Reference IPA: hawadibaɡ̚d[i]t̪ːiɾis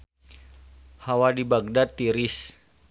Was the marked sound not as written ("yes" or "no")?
yes